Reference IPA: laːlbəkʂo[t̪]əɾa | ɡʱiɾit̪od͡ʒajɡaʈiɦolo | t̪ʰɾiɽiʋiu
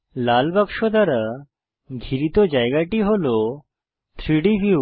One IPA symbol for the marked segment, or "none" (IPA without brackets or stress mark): d̪